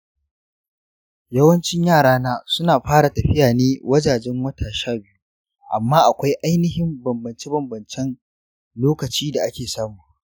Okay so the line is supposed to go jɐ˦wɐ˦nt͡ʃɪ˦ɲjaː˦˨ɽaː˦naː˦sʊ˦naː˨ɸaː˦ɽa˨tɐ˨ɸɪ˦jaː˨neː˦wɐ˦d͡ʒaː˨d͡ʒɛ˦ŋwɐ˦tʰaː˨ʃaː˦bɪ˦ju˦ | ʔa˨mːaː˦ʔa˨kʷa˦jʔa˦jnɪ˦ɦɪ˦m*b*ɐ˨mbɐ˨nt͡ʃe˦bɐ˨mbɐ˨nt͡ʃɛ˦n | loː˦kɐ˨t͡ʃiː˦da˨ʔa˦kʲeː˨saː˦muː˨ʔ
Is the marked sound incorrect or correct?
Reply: correct